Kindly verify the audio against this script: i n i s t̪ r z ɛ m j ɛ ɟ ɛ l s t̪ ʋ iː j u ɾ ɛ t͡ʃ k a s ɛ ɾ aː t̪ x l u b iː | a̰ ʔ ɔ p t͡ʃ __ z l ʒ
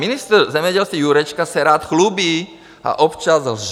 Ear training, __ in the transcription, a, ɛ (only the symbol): a